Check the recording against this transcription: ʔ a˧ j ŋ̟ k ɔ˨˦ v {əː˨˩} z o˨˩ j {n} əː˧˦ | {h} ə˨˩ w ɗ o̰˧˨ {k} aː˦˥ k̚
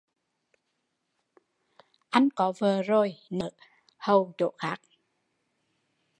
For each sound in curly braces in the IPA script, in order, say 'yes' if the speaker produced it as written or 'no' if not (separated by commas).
yes, yes, yes, no